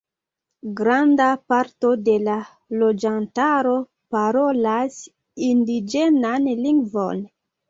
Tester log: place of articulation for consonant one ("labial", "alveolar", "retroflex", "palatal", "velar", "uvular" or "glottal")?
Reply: velar